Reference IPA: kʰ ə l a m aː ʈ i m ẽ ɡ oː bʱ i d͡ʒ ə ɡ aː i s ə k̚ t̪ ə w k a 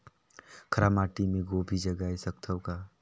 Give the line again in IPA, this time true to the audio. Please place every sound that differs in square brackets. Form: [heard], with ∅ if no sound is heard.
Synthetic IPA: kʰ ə [ɾ] a m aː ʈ i m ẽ ɡ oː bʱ i d͡ʒ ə ɡ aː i s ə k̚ [t̪ʰ] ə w k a